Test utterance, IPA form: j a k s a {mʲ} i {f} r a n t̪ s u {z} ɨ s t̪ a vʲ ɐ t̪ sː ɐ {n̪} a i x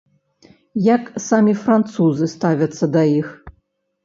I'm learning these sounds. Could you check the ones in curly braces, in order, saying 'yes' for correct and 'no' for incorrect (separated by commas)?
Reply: yes, yes, yes, no